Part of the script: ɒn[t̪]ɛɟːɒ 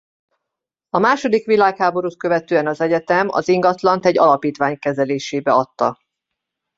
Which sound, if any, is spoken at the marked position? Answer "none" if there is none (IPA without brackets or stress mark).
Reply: t̪